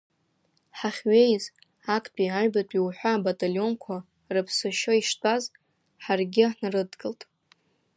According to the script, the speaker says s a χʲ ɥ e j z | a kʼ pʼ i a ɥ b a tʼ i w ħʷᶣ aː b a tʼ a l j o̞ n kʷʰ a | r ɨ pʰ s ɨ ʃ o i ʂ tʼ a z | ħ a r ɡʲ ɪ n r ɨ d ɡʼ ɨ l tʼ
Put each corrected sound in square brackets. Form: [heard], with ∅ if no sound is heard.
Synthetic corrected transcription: [ħ] a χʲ ɥ e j z | a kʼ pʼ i a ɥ b a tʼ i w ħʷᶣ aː b a tʼ a l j o̞ n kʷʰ a | r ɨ pʰ s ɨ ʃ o i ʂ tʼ a z | ħ a r ɡʲ ɪ n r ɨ d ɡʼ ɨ l tʼ